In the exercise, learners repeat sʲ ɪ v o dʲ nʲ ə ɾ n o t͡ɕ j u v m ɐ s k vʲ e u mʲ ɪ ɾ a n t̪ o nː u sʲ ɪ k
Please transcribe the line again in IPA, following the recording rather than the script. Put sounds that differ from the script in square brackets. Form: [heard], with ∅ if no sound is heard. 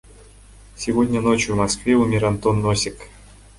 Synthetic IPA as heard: sʲ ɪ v o dʲ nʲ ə [∅] n o t͡ɕ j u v m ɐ s k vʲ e u mʲ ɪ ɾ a n t̪ o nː [o] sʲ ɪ k